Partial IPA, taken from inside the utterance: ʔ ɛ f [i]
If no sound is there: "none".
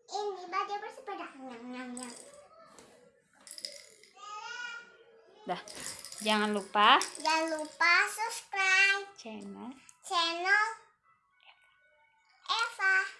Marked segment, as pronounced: a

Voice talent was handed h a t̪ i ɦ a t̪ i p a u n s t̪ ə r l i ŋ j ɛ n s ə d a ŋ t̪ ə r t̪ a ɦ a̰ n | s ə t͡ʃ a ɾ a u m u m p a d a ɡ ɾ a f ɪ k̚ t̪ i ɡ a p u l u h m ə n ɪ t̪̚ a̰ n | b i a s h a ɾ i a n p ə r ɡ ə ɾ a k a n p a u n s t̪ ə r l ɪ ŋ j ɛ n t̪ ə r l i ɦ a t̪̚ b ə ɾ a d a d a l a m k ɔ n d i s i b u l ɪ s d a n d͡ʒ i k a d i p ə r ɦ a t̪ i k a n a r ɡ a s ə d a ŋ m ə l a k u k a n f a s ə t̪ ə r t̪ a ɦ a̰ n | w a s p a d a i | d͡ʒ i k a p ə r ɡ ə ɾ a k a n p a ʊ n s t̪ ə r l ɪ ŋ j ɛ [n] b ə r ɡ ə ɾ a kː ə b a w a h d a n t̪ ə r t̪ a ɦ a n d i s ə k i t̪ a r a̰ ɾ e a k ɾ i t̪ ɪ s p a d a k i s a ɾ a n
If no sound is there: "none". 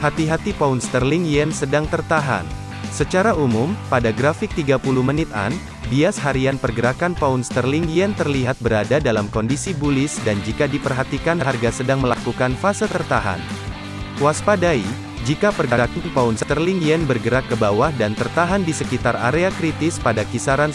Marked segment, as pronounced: n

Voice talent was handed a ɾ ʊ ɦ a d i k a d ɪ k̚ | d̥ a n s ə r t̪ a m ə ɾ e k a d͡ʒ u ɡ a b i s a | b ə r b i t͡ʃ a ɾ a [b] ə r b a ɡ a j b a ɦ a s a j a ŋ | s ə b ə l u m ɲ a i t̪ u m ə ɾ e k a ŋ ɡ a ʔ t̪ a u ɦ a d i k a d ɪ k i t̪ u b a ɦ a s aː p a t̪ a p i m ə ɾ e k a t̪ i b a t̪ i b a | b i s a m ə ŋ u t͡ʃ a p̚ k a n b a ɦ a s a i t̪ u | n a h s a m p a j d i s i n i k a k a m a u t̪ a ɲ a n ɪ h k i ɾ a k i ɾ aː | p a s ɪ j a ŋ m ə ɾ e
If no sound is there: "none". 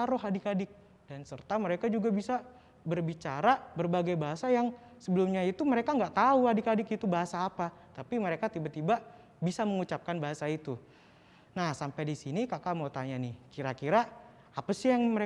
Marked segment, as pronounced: b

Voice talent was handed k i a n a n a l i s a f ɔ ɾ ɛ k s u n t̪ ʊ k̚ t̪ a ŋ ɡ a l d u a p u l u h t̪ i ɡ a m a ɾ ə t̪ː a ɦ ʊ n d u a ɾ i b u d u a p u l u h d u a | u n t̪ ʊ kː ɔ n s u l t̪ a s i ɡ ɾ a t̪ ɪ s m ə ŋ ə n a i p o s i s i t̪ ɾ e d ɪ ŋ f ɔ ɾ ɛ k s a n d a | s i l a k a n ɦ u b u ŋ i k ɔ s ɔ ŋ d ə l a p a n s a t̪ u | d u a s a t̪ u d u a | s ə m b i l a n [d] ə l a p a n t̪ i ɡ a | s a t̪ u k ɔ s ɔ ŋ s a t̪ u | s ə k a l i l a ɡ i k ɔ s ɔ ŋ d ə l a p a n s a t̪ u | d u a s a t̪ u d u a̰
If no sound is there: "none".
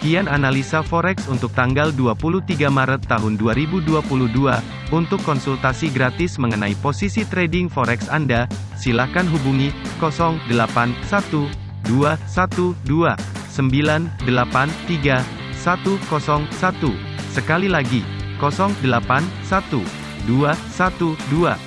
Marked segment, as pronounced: d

